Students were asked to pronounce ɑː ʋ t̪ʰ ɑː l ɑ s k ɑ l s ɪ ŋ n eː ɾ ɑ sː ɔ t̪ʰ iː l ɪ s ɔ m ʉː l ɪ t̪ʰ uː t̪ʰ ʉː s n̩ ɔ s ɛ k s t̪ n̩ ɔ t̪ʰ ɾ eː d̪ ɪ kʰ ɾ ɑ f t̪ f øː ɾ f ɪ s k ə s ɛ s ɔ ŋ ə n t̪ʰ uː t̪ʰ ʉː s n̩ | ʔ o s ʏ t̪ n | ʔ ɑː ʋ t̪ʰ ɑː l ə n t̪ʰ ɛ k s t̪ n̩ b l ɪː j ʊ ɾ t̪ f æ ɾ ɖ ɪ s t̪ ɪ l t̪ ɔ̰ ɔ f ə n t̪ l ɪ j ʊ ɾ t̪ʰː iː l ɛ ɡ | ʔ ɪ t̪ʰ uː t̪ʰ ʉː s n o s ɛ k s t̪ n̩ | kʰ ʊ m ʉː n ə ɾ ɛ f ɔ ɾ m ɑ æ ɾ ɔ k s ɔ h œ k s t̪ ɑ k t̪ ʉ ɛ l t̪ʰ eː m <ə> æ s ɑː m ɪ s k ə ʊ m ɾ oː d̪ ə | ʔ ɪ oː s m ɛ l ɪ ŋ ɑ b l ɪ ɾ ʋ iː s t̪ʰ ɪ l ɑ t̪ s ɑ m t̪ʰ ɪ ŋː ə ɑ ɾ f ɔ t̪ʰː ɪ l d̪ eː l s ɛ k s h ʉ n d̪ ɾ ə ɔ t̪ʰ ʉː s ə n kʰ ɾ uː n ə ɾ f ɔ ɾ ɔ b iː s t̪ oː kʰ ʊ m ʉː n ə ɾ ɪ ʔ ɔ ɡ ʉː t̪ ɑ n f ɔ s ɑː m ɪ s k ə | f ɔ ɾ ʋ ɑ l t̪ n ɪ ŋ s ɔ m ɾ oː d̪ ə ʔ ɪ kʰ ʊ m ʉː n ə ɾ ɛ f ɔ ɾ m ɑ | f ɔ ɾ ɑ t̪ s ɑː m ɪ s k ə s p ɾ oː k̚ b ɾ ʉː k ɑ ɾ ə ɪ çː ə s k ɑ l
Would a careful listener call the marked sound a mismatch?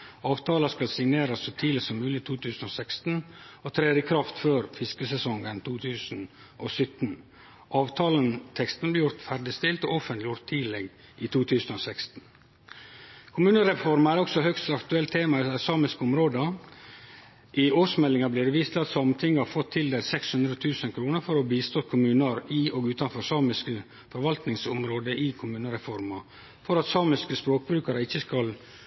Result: yes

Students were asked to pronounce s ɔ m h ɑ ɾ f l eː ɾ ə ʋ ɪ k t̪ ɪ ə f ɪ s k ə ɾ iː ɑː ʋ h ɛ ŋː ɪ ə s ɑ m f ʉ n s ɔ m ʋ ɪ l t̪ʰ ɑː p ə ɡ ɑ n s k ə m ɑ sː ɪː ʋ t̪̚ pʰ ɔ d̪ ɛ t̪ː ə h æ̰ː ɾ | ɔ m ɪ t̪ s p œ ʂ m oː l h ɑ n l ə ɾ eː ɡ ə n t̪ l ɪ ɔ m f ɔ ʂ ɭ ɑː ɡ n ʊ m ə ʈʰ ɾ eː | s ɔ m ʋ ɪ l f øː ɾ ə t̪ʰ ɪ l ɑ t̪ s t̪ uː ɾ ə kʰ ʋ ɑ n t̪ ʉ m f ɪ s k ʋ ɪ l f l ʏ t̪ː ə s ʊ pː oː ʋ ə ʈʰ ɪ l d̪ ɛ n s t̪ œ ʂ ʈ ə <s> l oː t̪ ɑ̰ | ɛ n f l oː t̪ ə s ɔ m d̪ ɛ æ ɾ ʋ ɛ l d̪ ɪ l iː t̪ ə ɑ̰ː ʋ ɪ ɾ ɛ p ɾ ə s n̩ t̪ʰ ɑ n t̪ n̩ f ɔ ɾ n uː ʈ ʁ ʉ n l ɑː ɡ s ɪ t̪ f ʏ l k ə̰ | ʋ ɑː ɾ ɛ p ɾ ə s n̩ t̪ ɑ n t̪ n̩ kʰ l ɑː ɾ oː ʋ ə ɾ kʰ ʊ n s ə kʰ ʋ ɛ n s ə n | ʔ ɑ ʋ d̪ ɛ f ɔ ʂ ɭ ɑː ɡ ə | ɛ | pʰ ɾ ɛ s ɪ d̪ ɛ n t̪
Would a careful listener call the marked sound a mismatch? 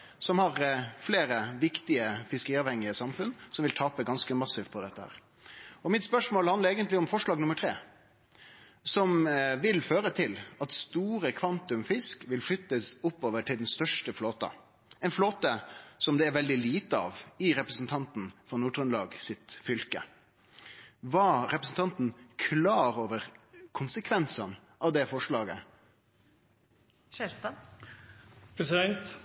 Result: yes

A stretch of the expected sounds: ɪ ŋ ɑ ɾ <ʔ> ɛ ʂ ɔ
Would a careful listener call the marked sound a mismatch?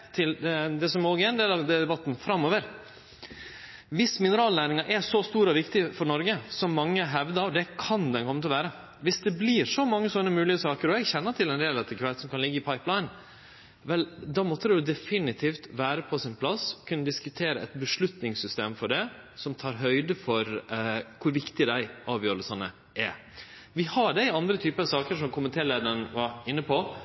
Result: no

